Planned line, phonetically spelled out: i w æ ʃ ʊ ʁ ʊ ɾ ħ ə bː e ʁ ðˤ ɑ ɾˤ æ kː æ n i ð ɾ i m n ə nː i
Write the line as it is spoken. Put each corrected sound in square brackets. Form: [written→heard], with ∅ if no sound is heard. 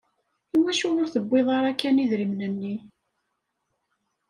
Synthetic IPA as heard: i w æ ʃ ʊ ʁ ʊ ɾ [ħ→θ] ə bː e [ʁ→∅] ðˤ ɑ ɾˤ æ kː æ n i ð ɾ i m n ə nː i